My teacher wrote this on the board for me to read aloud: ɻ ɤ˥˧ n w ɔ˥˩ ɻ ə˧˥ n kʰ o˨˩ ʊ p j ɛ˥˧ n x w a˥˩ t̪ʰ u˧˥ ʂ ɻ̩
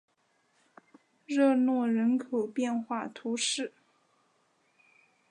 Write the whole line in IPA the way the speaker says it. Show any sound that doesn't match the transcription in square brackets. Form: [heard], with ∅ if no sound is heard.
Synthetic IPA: ɻ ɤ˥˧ n w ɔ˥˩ ɻ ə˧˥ n kʰ o˨˩ ʊ p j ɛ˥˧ n x w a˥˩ t̪ʰ u˧˥ ʂ ɻ̩